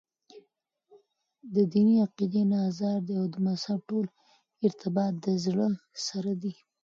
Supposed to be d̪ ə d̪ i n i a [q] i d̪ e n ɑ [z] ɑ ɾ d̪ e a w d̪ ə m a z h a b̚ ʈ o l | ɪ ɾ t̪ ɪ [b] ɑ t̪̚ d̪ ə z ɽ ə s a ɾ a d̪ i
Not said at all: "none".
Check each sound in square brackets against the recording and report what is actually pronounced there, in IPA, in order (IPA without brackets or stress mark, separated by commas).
q, z, b